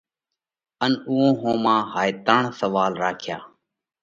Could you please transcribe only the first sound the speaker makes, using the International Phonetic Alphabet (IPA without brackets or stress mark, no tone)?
ə